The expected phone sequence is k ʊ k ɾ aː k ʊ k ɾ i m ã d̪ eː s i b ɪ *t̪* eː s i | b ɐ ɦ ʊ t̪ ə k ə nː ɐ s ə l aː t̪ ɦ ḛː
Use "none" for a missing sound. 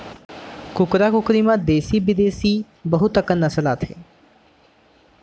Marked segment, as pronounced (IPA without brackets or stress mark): d̪